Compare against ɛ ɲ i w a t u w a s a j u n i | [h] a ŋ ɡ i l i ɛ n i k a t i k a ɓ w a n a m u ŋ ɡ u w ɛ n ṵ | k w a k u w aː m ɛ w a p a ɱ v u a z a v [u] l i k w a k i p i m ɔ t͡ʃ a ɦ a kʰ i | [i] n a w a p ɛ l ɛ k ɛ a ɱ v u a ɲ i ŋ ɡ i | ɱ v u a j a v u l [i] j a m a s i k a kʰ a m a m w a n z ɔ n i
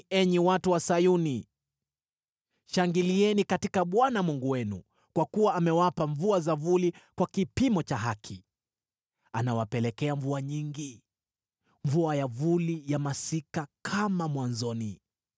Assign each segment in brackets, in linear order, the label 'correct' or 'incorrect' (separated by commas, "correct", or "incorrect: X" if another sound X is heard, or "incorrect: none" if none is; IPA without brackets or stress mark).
incorrect: ʃ, correct, incorrect: a, correct